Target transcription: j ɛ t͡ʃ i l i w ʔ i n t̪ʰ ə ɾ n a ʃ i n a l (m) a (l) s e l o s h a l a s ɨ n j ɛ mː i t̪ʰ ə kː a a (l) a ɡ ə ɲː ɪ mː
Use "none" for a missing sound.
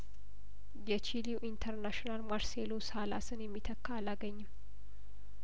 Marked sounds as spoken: m, ɾ, l

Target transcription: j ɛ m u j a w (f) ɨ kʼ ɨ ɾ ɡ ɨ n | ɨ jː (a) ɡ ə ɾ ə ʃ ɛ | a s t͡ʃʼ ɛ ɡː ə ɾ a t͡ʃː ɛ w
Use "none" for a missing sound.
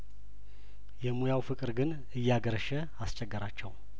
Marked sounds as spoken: f, a

